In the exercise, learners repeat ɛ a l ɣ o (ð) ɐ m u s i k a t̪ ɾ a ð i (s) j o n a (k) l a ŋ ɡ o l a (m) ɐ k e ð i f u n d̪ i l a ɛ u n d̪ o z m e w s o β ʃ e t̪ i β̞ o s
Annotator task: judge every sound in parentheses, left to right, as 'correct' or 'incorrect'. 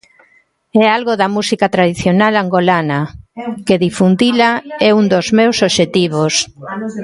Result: correct, incorrect, incorrect, incorrect

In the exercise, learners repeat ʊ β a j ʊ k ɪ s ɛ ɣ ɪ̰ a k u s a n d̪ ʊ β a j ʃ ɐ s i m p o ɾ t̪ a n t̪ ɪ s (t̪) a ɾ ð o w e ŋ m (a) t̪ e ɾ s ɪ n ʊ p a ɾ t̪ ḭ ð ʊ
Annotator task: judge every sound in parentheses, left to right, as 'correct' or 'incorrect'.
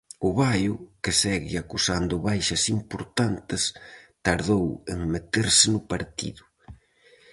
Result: correct, incorrect

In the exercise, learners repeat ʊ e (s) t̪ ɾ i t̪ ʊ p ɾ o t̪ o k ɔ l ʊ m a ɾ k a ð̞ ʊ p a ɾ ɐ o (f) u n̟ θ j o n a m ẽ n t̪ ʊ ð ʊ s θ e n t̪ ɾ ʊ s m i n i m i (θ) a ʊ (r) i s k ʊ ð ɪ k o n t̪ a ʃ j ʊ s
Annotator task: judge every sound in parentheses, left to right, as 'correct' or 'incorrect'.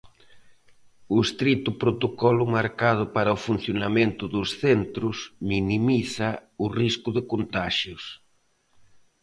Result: correct, correct, correct, correct

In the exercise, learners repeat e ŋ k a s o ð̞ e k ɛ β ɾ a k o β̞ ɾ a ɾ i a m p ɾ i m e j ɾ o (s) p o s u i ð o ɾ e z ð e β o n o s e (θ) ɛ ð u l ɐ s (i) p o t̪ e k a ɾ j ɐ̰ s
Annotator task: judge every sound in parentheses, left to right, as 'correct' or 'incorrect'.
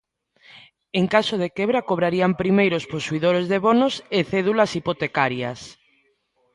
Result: correct, correct, correct

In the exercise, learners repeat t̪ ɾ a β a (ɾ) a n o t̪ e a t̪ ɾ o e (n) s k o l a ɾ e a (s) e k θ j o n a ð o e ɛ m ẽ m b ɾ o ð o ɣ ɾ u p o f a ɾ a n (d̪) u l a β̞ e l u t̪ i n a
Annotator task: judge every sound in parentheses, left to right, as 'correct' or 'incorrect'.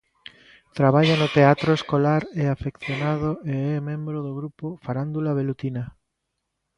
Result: incorrect, incorrect, incorrect, correct

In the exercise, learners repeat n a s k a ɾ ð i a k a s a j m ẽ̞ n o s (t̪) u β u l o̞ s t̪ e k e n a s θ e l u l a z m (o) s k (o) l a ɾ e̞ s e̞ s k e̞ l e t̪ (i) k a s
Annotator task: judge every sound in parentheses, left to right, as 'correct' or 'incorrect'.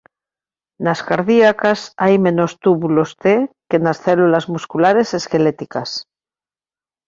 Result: correct, incorrect, incorrect, correct

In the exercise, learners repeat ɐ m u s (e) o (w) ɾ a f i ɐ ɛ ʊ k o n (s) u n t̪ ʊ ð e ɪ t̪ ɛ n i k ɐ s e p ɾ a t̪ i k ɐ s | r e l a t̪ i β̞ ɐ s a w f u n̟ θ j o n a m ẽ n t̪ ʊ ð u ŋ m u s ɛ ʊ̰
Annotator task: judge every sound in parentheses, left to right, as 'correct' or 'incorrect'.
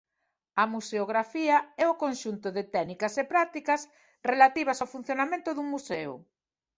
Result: correct, incorrect, incorrect

